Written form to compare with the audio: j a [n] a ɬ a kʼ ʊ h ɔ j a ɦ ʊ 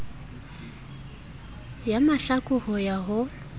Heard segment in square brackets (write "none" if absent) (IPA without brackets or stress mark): m